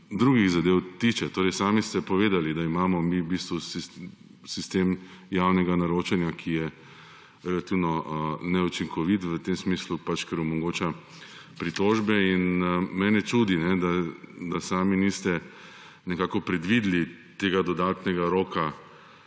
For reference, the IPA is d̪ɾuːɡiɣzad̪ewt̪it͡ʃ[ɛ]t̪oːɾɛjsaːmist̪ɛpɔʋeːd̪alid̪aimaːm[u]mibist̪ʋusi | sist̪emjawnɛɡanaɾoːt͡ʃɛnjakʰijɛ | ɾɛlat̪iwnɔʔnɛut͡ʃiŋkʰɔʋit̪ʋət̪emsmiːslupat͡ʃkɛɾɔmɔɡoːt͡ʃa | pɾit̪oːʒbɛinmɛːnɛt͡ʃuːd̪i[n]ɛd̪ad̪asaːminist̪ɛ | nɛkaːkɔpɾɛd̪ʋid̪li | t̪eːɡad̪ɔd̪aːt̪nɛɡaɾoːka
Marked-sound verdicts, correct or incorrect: correct, incorrect, correct

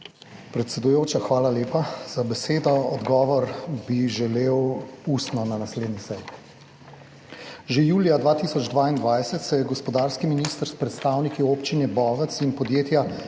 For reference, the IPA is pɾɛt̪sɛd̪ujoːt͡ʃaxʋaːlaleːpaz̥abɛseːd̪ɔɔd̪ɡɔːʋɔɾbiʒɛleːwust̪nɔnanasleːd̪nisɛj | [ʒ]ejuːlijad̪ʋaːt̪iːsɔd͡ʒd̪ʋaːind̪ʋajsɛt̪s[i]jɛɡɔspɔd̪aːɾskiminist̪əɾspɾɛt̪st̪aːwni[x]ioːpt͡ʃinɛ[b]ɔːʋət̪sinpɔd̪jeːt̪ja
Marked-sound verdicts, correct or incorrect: correct, incorrect, incorrect, correct

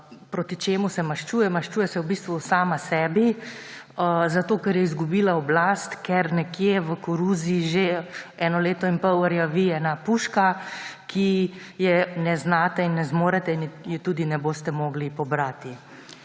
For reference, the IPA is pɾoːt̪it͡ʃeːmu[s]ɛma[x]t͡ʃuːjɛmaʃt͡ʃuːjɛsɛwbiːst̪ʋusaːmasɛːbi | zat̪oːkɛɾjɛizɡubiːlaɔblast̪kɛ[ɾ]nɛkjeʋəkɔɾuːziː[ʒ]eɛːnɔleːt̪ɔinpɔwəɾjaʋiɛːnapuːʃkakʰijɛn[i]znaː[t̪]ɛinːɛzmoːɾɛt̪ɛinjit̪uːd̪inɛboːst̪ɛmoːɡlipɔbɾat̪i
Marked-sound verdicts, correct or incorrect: correct, incorrect, correct, correct, incorrect, correct

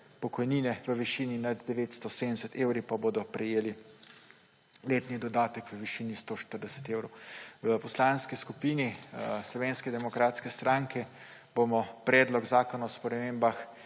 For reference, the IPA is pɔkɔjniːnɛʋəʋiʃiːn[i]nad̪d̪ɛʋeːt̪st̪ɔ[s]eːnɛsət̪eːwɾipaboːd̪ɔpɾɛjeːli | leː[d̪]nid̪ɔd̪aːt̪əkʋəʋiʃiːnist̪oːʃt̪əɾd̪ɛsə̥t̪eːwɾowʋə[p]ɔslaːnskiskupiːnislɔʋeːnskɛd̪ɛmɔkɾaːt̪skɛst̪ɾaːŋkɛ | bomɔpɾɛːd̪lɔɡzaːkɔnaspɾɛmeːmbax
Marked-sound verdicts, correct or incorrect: correct, correct, incorrect, correct

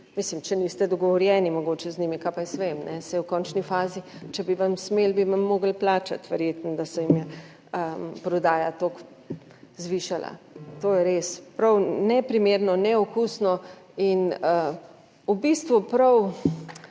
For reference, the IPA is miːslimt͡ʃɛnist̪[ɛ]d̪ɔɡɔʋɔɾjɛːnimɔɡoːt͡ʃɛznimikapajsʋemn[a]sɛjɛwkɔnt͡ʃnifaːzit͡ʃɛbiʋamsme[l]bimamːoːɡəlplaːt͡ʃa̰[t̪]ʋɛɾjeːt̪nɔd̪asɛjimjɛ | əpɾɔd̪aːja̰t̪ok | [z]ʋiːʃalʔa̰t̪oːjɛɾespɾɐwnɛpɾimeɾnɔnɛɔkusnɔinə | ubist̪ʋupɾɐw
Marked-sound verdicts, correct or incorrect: correct, incorrect, correct, correct, correct

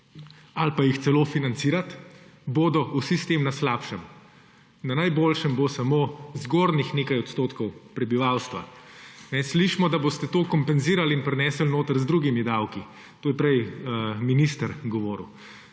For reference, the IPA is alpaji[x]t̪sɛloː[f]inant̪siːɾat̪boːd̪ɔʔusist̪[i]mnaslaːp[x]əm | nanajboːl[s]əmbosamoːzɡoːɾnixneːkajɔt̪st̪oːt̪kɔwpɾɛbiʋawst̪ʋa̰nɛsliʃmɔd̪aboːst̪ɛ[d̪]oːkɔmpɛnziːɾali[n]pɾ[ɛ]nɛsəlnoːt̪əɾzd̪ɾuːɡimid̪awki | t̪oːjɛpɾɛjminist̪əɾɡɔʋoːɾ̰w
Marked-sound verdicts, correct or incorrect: correct, correct, incorrect, incorrect, incorrect, incorrect, correct, correct

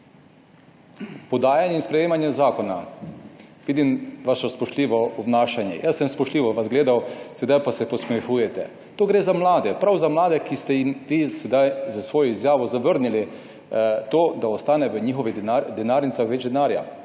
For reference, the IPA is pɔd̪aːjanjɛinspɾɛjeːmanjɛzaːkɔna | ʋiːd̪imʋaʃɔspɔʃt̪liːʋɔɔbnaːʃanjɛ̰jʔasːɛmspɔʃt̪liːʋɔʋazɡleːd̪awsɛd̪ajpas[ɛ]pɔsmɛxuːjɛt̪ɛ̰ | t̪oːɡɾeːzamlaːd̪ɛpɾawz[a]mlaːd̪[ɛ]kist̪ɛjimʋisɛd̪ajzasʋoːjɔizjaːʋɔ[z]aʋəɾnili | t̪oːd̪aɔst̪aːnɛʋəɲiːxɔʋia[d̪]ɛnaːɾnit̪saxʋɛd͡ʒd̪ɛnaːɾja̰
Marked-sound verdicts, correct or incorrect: correct, correct, correct, correct, correct

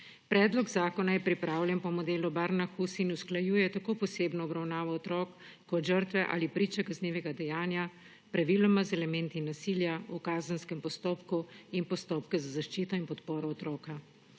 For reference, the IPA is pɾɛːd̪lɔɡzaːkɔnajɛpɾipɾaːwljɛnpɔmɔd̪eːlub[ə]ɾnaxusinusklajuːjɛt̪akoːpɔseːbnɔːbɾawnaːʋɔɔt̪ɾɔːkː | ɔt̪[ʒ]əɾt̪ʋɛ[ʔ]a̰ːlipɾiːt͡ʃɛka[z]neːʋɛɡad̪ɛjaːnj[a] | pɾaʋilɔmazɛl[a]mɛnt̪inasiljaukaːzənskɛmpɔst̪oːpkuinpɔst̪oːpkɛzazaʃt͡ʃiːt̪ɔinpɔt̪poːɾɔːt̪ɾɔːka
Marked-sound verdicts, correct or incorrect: incorrect, correct, correct, correct, correct, incorrect

